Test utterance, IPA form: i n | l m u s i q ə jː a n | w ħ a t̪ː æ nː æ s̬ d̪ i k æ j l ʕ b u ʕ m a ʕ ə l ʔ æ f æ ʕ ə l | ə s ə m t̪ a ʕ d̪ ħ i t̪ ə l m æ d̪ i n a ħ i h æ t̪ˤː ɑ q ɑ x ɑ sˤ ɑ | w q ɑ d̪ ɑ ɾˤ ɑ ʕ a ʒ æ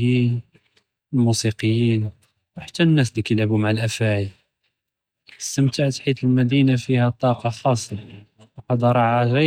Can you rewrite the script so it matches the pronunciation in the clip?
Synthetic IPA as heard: i n | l m u s i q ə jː i n | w ħ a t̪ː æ nː æ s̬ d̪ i k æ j l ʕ b u m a ʕ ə l ʔ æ f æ ʕ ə l | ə s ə m t̪ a ʕ t̪ ħ i t̪ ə l m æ d̪ i n a f i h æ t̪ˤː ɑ q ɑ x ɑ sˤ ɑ | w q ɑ d̪ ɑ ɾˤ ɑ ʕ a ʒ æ